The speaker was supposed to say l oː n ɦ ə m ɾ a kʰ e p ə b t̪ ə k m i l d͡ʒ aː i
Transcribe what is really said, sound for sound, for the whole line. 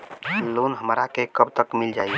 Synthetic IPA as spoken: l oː n ɦ ə m ɾ a k e k ə b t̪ ə k m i l d͡ʒ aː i